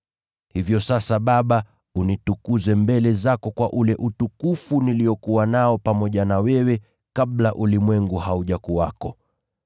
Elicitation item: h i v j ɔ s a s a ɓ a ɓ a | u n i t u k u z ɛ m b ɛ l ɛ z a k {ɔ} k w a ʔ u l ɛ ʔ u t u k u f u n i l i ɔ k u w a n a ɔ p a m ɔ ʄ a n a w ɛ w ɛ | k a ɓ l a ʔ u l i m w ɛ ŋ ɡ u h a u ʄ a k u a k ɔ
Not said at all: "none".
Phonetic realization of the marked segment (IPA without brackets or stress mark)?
ɔ